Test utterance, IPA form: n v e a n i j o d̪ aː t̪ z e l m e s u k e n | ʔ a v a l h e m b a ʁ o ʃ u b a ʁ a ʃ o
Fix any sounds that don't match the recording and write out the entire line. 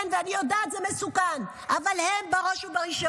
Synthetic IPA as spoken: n v e a n i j o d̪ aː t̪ z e m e s u k a n | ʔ a v a l h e m b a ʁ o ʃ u b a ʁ i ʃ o